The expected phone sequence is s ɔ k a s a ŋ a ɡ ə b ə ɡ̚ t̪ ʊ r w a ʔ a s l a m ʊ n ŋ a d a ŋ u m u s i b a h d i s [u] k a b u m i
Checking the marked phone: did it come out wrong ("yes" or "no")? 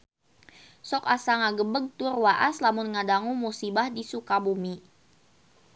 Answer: no